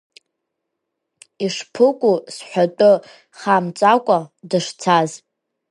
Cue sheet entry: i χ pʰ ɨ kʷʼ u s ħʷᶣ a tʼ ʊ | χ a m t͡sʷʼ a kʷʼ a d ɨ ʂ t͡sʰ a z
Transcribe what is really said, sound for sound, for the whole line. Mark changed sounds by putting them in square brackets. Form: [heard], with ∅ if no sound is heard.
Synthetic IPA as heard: i [ʂ] pʰ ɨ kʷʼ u s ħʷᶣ a tʼ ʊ | χ a m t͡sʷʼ a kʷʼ a d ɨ ʂ t͡sʰ a z

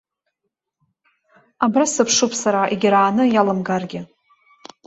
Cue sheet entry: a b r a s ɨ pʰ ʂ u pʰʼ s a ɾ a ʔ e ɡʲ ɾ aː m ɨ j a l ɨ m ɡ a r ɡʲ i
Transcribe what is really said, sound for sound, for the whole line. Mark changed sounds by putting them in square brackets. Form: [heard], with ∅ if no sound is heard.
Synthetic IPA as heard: a b r a s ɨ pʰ ʂ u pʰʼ s a ɾ a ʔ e ɡʲ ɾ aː [n] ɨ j a l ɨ m ɡ a r ɡʲ [ɪ]

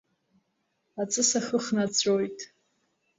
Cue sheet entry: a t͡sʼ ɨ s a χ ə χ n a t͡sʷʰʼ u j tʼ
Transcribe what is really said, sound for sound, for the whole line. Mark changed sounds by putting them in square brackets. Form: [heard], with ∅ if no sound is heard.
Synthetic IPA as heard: a t͡sʼ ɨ s a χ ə χ n a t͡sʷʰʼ [o] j tʼ

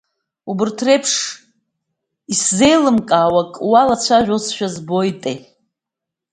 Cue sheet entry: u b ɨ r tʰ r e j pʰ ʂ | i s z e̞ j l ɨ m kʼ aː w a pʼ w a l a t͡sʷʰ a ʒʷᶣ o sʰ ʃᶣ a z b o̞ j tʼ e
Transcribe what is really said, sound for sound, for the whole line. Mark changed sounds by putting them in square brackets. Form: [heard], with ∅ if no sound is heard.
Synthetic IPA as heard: u b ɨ r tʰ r e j pʰ ʂ | i s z e̞ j l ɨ m kʼ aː w a [kʼ] w a l a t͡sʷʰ a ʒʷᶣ o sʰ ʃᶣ a z b o̞ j tʼ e

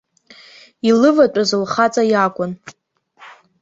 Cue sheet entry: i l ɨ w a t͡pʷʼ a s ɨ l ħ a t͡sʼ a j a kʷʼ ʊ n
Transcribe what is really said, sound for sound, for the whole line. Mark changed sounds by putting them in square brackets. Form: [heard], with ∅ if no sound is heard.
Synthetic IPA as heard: i l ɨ [v] a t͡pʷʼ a [z] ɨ l [χ] a t͡sʼ a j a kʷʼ ʊ n

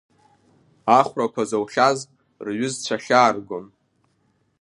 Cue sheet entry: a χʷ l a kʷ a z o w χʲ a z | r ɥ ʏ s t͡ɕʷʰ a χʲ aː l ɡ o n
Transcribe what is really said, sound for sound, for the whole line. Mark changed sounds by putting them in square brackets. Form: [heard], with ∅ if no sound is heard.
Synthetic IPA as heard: a χʷ [r] a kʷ a z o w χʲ a z | r ɥ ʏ [z] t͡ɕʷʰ a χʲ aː [r] ɡ o n

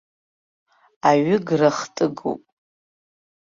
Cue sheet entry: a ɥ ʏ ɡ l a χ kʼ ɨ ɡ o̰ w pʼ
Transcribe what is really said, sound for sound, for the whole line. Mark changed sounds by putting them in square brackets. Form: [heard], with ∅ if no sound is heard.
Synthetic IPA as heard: a ɥ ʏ ɡ [r] a χ [tʼ] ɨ ɡ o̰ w pʼ

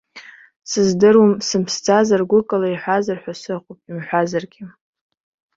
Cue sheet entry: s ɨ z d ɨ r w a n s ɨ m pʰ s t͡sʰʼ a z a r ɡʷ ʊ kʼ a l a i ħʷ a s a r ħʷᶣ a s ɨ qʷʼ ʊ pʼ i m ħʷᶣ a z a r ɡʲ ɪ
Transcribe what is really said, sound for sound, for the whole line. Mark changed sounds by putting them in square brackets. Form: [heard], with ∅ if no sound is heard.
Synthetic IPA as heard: s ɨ z d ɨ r w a [m] s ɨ m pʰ s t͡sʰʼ a z a r ɡʷ ʊ kʼ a l a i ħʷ a [z] a r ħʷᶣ a s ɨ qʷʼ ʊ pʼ i m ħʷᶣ a z a r ɡʲ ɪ

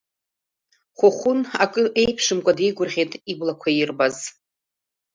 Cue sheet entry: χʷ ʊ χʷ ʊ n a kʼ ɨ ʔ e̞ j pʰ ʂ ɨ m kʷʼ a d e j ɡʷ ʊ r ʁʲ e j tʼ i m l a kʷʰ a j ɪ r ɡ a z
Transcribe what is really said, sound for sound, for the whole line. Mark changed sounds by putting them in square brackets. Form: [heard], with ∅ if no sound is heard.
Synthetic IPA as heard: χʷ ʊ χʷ ʊ n a kʼ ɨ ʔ e̞ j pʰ ʂ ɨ m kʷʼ a d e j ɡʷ ʊ r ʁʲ e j tʼ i [b] l a kʷʰ a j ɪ r [b] a z

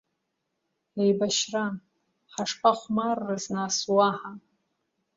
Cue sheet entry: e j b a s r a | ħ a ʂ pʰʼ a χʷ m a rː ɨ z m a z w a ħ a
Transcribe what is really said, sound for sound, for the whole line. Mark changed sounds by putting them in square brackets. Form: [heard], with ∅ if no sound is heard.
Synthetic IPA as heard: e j b a [ʃ] r a | ħ a ʂ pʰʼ a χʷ m a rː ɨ z [n] a [s] w a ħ a

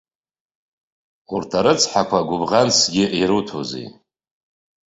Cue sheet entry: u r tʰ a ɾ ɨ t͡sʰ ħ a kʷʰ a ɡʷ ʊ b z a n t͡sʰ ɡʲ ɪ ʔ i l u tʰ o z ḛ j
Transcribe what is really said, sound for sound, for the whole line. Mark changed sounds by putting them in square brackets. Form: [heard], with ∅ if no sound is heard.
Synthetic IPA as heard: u r tʰ a ɾ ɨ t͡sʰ ħ a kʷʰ a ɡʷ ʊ b [ʁ] a n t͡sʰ ɡʲ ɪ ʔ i [ɾ] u tʰ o z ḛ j

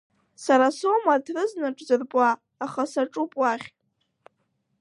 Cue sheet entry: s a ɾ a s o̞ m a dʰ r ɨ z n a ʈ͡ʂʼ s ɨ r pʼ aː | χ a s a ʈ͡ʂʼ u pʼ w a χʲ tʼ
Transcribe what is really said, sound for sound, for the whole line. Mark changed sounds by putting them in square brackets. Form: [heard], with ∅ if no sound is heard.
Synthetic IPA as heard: s a ɾ a s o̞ m a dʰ r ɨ z n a ʈ͡ʂʼ [z] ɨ r pʼ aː | χ a s a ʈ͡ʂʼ u pʼ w a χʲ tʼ

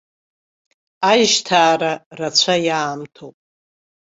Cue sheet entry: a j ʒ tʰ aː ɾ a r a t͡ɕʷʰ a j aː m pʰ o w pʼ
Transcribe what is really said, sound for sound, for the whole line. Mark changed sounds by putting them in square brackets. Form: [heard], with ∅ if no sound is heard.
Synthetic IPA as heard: a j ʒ tʰ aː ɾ a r a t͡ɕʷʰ a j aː m [tʰ] o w pʼ

